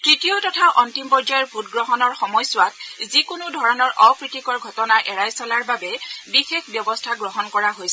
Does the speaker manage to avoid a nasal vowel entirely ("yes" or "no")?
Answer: yes